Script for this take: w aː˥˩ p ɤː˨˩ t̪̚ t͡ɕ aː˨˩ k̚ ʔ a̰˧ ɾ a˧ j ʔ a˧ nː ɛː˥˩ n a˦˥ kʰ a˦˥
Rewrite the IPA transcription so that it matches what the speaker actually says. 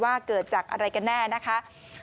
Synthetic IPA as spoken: w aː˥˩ k ɤː˨˩ t̪̚ t͡ɕ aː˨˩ k̚ ʔ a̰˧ ɾ a˧ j k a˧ nː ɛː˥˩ n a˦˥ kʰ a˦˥